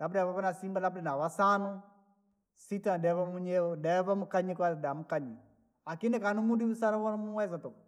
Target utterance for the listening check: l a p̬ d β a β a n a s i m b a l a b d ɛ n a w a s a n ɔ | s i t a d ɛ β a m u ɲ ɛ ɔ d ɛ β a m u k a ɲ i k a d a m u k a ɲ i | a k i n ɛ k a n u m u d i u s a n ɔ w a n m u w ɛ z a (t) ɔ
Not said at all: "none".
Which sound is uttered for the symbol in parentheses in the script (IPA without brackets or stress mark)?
t